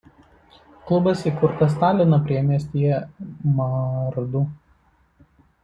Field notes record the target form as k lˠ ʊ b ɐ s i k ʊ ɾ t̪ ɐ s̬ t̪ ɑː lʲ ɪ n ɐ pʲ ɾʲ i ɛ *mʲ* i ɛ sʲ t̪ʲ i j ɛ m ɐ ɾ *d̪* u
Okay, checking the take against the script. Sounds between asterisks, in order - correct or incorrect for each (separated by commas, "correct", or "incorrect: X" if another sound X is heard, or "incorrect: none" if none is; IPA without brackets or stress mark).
correct, correct